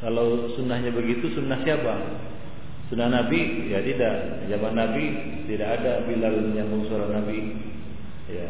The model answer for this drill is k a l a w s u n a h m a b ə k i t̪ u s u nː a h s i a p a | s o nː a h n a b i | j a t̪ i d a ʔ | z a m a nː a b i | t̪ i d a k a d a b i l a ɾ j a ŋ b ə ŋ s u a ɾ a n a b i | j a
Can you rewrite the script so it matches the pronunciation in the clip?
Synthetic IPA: k a l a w s u n a h ɲ a b ə ɡ i t̪ u s u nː a h s i a p a | s u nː a h n a b i | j a t̪ i d a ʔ | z a m a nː a b i | t̪ i d a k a d a b i l a l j a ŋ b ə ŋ s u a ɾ a n a b i | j a